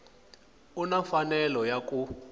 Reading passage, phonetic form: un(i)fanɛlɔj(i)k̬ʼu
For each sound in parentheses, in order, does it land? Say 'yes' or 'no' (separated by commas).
no, no